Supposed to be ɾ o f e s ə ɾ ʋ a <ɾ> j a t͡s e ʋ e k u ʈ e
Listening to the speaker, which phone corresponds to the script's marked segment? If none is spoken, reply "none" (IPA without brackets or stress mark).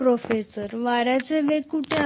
ɾ